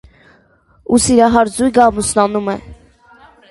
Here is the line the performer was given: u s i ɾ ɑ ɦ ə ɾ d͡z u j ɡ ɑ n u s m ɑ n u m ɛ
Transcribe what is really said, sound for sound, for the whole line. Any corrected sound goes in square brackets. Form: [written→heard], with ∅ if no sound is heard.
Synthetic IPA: u s i ɾ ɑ ɦ [ə→ɑ] ɾ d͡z u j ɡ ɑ [n→m] u s [m→n] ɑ n u m ɛ

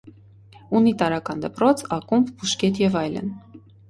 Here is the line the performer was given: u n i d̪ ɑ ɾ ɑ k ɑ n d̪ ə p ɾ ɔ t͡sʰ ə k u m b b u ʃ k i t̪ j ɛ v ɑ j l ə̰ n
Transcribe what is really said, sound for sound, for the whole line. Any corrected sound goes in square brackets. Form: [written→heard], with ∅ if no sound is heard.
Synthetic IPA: u n i [d̪→t̪] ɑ ɾ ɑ k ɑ n d̪ ə p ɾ ɔ t͡sʰ [ə→ɑ] k u m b b u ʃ k [i→ɛ] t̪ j ɛ v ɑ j l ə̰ n

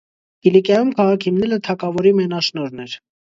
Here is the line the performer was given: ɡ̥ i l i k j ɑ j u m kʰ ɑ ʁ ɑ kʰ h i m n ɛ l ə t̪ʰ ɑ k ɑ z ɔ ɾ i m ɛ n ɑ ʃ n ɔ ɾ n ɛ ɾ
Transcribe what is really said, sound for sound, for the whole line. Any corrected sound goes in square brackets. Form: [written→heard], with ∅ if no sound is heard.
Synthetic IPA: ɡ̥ i l i k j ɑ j u m kʰ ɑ ʁ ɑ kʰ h i m n ɛ l ə t̪ʰ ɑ k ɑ [z→v] ɔ ɾ i m ɛ n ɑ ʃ n ɔ ɾ n ɛ ɾ

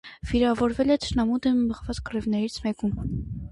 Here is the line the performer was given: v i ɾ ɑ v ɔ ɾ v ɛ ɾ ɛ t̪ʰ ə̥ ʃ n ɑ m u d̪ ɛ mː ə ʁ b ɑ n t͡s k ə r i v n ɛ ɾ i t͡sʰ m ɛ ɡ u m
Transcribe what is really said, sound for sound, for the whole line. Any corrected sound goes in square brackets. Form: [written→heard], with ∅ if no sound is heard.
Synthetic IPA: v i ɾ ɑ v ɔ ɾ v ɛ [ɾ→l] ɛ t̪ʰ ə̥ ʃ n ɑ m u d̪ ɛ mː ə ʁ [b→v] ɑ [n→∅] t͡s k ə r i v n ɛ ɾ i t͡sʰ m ɛ [ɡ→k] u m

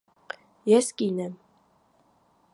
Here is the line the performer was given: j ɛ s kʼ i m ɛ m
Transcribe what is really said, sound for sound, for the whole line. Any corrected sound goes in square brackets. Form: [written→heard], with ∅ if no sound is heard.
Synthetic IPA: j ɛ s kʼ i [m→n] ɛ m

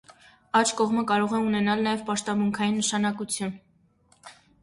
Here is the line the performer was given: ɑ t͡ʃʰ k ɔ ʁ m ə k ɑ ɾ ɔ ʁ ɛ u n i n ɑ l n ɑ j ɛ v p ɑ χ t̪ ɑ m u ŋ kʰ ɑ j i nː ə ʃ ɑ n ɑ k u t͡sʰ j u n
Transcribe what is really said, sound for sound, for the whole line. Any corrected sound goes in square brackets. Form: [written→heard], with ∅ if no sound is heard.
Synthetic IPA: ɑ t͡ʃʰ k ɔ ʁ m ə k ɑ ɾ ɔ ʁ ɛ u n [i→ɛ] n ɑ l n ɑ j ɛ v p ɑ [χ→ʃ] t̪ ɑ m u ŋ kʰ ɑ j i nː ə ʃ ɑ n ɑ k u t͡sʰ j u n

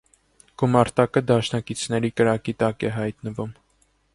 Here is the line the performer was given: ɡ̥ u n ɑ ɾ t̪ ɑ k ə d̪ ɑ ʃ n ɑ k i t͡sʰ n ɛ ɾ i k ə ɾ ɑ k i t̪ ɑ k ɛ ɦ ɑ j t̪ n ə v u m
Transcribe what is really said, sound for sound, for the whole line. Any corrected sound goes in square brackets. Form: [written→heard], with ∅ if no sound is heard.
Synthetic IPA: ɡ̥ u [n→m] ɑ ɾ t̪ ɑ k ə d̪ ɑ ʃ n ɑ k i t͡sʰ n ɛ ɾ i k ə ɾ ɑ k i t̪ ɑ k ɛ ɦ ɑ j t̪ n ə v u m

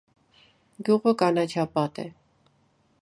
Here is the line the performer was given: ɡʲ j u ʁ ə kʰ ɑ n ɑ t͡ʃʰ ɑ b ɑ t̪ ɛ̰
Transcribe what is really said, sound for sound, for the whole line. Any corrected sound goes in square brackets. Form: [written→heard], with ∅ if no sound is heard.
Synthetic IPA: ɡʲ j u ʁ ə [kʰ→k] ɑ n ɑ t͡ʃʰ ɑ [b→p] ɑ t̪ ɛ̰

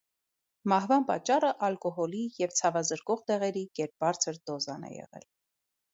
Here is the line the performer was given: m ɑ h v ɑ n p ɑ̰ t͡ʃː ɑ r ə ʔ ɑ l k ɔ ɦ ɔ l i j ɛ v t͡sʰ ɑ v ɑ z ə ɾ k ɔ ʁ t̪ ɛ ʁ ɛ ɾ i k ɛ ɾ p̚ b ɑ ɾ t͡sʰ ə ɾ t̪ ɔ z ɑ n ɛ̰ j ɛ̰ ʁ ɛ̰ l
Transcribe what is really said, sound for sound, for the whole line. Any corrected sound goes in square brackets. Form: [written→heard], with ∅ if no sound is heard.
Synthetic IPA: m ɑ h v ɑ n p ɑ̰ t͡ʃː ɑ r ə ʔ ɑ l k ɔ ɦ ɔ l i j ɛ v t͡sʰ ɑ v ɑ z ə ɾ k ɔ ʁ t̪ ɛ ʁ ɛ ɾ i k ɛ ɾ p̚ b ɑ ɾ t͡sʰ ə ɾ [t̪→d̪] ɔ z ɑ n ɛ̰ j ɛ̰ ʁ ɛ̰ l

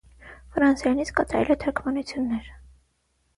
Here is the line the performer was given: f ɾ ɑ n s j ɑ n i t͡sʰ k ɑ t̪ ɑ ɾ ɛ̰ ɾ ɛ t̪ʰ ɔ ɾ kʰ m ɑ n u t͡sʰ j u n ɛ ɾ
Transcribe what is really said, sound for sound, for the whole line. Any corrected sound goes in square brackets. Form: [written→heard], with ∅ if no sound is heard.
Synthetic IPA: f ɾ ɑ n s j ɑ n i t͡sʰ k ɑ t̪ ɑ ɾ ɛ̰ [ɾ→l] ɛ t̪ʰ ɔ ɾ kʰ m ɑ n u t͡sʰ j u [n→nː] ɛ ɾ

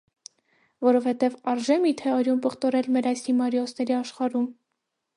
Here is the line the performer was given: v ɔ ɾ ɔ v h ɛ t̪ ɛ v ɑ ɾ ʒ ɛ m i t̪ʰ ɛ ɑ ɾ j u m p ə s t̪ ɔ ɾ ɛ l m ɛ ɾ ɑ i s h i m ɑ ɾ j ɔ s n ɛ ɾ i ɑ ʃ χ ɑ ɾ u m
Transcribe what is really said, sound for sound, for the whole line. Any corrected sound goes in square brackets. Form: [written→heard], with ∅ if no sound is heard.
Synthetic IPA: v ɔ ɾ ɔ v h ɛ t̪ ɛ v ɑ ɾ ʒ ɛ m i t̪ʰ ɛ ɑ ɾ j u m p ə [s→χ] t̪ ɔ ɾ ɛ l m ɛ ɾ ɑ [i→j] s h i m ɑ ɾ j ɔ s n ɛ ɾ i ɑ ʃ χ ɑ ɾ u m

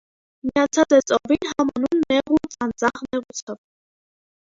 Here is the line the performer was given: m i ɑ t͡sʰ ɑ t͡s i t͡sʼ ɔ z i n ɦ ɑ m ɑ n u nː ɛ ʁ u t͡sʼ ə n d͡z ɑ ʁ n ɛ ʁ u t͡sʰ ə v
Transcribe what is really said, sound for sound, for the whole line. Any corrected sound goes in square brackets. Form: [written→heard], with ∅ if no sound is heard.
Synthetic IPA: m i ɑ t͡sʰ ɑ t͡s [i→ɛ] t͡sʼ ɔ [z→v] i n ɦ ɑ m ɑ n u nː ɛ ʁ u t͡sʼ [ə→ɑ] n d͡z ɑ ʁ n ɛ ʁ u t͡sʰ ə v

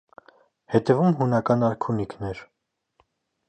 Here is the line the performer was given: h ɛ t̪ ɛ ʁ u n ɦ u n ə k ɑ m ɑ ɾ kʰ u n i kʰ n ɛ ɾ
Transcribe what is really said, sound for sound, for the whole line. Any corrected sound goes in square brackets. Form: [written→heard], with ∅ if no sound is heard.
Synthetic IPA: h ɛ t̪ ɛ [ʁ→v] u [n→m] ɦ u n [ə→ɑ] k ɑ [m→n] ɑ ɾ kʰ u n i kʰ n ɛ ɾ

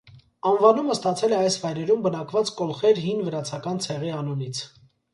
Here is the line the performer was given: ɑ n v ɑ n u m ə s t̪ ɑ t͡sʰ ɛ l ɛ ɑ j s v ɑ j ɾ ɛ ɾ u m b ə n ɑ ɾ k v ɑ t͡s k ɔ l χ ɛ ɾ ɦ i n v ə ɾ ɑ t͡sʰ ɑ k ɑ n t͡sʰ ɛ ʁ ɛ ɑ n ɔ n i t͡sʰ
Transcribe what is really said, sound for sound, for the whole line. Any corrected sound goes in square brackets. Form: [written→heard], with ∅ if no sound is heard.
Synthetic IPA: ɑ n v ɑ n u m ə s t̪ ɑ t͡sʰ ɛ l ɛ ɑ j s v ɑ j ɾ ɛ ɾ u m b ə n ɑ [ɾ→∅] k v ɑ t͡s k ɔ l χ ɛ ɾ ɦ i n v ə ɾ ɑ t͡sʰ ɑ k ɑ n t͡sʰ ɛ ʁ [ɛ→i] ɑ n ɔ n i t͡sʰ

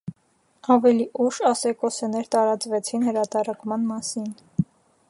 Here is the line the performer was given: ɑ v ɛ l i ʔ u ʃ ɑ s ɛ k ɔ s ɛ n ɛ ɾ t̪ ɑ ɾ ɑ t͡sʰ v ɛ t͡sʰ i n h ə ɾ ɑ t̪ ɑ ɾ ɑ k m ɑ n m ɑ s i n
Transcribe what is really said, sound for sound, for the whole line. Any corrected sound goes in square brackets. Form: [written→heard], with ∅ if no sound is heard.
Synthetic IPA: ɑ v ɛ l i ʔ u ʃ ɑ s ɛ k ɔ s ɛ n ɛ ɾ t̪ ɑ ɾ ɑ [t͡sʰ→t͡s] v ɛ t͡sʰ i n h ə ɾ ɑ t̪ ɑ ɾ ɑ k m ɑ n m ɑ s i n

